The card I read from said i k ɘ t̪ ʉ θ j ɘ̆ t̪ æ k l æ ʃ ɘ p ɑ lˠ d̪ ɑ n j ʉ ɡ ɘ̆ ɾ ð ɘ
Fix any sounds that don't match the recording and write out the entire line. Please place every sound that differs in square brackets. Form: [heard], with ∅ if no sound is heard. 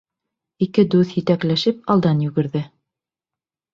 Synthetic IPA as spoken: i k ɘ [d̪] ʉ θ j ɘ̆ t̪ æ k l æ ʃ ɘ p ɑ lˠ d̪ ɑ n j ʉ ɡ ɘ̆ ɾ ð ɘ